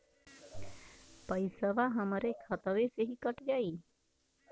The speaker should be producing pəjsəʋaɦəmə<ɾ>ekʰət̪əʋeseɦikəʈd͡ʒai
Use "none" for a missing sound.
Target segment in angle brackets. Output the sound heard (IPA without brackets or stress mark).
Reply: ɾ